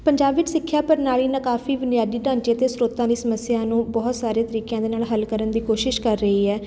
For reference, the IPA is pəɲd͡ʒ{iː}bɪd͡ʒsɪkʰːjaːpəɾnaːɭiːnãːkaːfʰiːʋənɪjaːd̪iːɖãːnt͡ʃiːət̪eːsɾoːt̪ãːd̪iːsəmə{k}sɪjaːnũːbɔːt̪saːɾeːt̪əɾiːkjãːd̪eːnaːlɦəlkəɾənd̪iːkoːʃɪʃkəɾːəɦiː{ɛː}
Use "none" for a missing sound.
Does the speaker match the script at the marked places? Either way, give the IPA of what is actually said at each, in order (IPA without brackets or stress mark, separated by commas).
aː, none, ɛː